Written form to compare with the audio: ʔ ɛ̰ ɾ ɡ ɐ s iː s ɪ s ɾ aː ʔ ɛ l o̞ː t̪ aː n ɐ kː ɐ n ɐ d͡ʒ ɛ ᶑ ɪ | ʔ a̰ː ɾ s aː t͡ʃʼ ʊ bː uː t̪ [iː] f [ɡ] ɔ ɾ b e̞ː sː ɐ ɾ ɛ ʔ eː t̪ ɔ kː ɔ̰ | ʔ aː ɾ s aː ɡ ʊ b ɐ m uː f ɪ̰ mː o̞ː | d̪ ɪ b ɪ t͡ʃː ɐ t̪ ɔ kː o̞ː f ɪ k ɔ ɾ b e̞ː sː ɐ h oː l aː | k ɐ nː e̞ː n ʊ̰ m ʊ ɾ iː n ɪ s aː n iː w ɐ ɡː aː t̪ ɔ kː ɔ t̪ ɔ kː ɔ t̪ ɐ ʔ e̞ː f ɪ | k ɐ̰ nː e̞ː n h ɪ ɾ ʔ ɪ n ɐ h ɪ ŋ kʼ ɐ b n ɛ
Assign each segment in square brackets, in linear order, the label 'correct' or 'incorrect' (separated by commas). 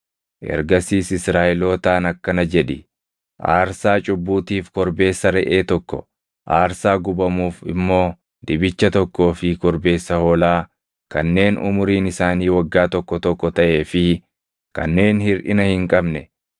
correct, incorrect